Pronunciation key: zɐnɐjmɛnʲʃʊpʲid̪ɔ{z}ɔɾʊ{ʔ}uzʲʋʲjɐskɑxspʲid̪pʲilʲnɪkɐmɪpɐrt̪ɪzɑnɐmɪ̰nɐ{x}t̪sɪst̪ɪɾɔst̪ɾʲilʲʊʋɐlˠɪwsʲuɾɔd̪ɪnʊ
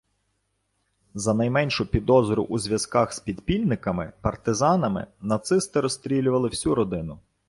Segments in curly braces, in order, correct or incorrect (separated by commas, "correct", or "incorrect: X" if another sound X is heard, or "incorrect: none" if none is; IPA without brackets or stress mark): correct, correct, incorrect: none